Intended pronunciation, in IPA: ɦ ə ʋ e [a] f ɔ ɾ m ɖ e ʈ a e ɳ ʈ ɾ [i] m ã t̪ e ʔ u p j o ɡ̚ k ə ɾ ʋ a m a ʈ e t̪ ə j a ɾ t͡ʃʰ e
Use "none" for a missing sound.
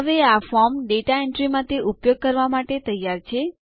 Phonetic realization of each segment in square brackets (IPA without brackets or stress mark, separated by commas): a, i